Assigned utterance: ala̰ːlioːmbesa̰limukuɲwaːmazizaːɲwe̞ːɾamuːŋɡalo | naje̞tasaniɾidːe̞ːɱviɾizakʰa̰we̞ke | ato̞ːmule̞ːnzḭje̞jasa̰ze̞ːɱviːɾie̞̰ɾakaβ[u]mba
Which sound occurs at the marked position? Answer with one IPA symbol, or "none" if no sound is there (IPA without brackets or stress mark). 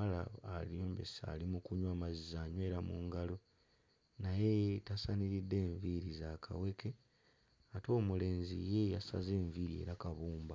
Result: uː